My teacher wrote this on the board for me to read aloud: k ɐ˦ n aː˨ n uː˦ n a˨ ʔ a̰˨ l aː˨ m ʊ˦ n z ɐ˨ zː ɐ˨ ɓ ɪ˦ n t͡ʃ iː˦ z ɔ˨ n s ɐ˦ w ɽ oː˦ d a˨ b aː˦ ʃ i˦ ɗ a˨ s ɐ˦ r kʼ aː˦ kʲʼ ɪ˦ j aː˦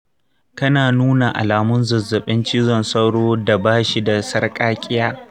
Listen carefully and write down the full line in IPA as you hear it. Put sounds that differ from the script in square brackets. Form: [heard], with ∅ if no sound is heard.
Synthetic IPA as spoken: k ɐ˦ n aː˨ n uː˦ n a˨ ʔ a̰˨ l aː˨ m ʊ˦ n z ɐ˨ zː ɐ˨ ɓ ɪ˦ n t͡ʃ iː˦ z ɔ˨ n s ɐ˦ w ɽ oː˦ d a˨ b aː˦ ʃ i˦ [d] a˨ s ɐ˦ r kʼ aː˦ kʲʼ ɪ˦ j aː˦